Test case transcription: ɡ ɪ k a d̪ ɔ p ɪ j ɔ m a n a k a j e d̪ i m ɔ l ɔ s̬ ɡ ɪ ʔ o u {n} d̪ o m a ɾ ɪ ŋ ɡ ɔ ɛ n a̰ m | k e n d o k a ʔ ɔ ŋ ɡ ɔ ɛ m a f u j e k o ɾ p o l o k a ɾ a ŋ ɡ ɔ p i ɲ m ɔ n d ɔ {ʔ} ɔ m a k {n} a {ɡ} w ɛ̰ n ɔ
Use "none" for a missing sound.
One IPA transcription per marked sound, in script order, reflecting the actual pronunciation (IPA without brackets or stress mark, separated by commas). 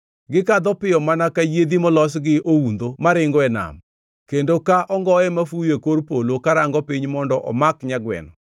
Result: n, ʔ, ɲ, ɡ